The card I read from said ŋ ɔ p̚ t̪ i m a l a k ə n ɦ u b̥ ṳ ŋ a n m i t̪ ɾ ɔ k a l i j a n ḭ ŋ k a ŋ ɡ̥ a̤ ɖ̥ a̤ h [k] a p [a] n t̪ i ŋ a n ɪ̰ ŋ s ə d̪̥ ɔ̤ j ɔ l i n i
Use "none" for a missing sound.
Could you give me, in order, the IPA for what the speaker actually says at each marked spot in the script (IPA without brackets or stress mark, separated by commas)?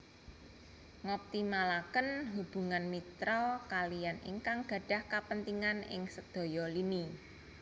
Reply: k, ə